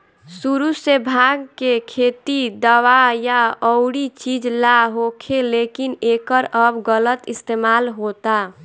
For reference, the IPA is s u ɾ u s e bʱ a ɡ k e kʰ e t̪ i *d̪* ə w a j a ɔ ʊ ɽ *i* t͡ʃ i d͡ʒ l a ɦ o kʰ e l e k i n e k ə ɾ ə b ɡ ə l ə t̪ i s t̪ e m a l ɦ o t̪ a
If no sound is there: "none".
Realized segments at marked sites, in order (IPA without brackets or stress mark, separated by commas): d̪, i